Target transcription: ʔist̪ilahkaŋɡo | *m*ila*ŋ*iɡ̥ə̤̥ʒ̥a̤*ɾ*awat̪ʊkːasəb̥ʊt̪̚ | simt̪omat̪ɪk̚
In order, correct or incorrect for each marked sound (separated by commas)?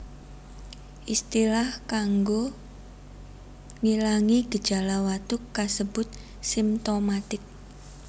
incorrect, correct, incorrect